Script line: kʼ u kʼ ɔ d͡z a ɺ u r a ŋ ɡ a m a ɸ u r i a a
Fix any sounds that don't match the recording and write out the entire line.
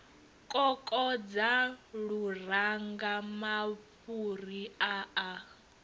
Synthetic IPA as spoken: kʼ ɔ kʼ ɔ d͡z a ɺ u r a ŋ ɡ a m a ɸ u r i a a